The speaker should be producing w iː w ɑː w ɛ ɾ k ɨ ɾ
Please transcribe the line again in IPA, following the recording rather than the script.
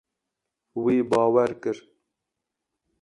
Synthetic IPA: w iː b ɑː w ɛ ɾ k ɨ ɾ